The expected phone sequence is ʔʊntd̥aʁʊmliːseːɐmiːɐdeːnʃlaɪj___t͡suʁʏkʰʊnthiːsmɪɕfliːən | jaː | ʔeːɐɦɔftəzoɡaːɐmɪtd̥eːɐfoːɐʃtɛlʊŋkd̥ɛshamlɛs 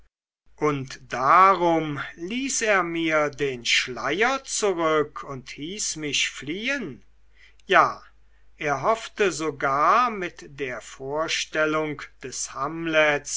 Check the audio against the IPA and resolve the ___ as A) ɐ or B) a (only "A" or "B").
A